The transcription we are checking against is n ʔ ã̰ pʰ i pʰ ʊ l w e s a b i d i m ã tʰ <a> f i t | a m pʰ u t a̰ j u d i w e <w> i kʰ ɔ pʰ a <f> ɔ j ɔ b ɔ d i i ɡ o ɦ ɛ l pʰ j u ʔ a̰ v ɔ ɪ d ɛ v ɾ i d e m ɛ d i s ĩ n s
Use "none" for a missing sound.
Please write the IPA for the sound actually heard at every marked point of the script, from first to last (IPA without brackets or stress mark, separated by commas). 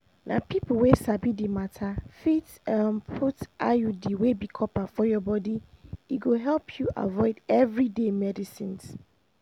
a, b, f